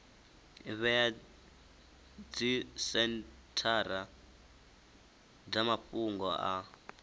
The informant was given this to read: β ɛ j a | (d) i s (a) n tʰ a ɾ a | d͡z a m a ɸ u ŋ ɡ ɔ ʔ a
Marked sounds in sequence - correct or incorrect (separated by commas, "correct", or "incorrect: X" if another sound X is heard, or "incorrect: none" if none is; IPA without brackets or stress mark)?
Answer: incorrect: d͡z, incorrect: ɛ